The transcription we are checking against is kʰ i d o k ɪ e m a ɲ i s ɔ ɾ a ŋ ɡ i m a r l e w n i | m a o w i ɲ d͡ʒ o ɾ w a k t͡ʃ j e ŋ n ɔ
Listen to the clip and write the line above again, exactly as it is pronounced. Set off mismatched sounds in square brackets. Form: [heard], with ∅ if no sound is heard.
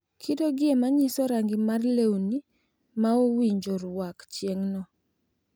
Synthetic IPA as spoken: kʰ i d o [ɡ] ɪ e m a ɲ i s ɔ ɾ a ŋ ɡ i m a r l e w n i | m a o w i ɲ d͡ʒ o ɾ w a k t͡ʃ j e ŋ n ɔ

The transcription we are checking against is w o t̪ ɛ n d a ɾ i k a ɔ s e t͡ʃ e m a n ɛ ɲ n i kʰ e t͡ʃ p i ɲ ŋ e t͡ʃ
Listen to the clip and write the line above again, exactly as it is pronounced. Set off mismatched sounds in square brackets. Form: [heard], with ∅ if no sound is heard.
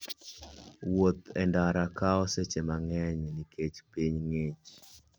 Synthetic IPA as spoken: w o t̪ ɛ n d a ɾ [a] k a ɔ s e t͡ʃ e m a [ŋ] ɛ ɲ n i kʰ e t͡ʃ p i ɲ ŋ e t͡ʃ

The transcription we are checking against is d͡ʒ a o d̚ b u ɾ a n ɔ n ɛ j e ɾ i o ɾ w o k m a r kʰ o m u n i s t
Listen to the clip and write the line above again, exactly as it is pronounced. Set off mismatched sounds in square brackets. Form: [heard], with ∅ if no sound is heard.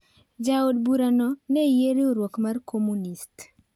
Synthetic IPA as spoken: d͡ʒ a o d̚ b u ɾ a n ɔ n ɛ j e ɾ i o ɾ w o k m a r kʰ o m u n i s t

